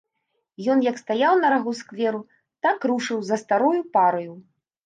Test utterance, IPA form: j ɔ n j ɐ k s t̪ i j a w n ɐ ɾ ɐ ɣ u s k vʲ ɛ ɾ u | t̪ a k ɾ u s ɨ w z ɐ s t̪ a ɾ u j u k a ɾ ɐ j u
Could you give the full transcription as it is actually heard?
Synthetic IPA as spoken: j ɔ n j ɐ k s t̪ a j a w n ɐ ɾ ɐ ɣ u s k vʲ ɛ ɾ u | t̪ a k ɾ u ʂ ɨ w z ɐ s t̪ a ɾ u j u p a ɾ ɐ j u